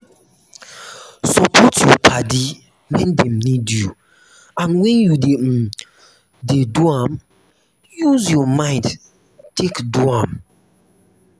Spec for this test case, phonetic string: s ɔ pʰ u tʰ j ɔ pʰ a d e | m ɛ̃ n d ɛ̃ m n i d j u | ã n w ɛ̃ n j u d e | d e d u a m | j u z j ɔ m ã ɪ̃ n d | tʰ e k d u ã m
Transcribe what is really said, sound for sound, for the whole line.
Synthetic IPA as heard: s ɔ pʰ ɔ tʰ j ɔ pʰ a d i | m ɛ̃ n d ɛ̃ m n i d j u | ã n w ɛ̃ n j u d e | d e d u a m | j u z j ɔ m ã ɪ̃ n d | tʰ e k d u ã m